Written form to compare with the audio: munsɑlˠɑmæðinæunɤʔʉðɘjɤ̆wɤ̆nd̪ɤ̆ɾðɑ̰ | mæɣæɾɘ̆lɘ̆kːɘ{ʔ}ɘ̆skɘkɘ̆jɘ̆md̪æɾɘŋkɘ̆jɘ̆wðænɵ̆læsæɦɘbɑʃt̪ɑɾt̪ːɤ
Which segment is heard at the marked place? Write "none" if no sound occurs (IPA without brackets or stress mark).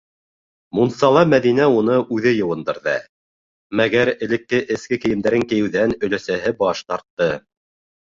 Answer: ʔ